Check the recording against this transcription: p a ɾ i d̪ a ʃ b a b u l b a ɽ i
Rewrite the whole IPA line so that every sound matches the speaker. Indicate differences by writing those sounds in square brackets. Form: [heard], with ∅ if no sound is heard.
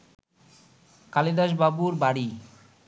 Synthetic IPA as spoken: [k] a [l] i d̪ a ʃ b a b u [ɾ] b a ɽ i